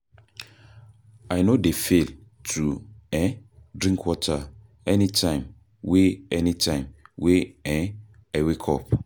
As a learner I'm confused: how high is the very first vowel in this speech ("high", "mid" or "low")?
low